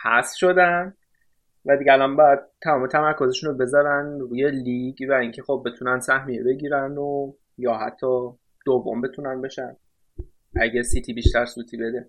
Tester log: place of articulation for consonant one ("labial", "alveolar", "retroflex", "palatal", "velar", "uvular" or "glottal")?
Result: glottal